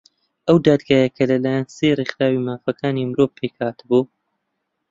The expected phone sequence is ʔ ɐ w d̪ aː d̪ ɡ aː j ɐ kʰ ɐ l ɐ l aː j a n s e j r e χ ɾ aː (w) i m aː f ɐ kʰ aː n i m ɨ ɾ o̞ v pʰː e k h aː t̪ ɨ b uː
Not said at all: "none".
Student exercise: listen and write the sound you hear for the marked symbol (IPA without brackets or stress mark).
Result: w